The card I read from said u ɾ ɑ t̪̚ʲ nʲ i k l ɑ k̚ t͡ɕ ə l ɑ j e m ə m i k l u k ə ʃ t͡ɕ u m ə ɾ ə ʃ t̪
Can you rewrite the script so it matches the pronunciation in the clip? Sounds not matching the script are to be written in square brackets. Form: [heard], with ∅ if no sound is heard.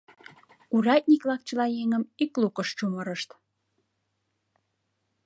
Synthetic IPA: u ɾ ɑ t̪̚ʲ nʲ i k l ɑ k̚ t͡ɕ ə l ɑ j e [ŋ] ə m i k l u k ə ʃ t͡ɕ u m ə ɾ ə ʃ t̪